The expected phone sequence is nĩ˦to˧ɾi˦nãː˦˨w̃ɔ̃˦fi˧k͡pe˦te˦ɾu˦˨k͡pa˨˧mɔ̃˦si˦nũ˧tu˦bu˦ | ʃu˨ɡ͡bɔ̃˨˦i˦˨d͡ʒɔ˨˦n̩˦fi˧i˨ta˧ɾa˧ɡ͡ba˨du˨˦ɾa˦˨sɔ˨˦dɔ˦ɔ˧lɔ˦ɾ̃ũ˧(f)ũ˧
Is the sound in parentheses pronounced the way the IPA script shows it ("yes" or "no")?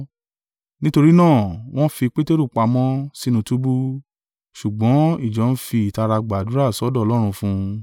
yes